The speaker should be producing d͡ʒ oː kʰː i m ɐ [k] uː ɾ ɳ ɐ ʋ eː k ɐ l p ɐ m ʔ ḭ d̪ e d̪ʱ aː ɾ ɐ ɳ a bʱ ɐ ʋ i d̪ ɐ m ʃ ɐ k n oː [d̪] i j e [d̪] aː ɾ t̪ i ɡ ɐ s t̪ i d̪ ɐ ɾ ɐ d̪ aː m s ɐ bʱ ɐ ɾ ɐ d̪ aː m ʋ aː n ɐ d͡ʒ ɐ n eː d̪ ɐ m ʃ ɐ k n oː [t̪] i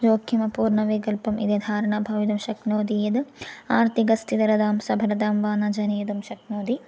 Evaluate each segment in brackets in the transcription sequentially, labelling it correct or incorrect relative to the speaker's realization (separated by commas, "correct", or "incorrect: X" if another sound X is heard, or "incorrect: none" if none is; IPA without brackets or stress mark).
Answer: incorrect: p, correct, correct, incorrect: d̪